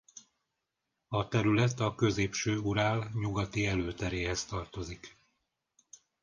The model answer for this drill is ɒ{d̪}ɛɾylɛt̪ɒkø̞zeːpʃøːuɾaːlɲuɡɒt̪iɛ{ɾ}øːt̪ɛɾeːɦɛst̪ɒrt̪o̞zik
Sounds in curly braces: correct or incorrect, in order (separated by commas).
incorrect, incorrect